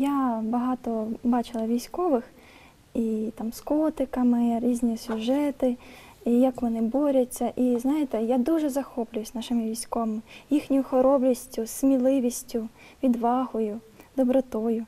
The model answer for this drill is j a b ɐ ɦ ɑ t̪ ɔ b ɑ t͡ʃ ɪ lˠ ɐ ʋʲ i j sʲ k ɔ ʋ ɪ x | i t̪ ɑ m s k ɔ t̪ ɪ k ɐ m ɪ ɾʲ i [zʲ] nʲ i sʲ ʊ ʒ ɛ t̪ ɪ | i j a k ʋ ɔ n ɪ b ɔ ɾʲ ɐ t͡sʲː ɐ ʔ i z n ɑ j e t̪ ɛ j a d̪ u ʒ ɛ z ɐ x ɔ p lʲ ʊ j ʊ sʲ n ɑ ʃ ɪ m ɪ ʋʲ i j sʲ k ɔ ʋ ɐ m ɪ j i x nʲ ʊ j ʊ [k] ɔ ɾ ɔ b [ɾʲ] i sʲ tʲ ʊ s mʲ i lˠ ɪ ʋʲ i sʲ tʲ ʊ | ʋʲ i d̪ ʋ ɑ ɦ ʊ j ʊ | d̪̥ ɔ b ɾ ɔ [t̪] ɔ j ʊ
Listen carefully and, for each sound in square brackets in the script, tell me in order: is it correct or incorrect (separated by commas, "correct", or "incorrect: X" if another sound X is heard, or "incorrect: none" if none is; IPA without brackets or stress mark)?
correct, incorrect: x, incorrect: lʲ, correct